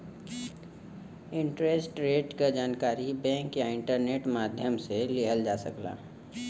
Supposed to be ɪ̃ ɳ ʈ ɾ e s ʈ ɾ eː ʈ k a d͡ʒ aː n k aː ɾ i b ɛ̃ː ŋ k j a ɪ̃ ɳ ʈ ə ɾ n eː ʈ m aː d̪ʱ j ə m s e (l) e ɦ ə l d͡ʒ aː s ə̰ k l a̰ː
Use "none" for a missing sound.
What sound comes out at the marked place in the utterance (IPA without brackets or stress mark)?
l